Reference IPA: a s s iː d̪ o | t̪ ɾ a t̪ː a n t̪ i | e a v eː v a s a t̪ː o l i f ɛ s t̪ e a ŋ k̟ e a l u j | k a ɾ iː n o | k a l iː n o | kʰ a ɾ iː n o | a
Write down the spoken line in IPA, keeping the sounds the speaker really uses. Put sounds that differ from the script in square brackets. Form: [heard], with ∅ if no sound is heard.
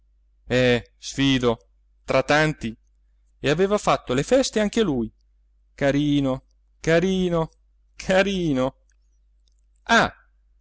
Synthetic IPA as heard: [ɛ] s [f] iː d̪ o | t̪ ɾ a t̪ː a n t̪ i | e a v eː v a [f] a t̪ː o l [e] f ɛ s t̪ e a ŋ k̟ e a l u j | k a ɾ iː n o | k a [ɾ] iː n o | kʰ a ɾ iː n o | a